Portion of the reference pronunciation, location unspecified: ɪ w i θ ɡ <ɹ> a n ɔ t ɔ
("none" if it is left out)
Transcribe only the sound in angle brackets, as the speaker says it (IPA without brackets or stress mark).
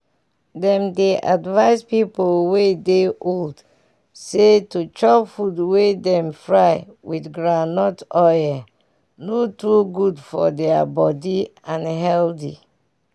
ɹ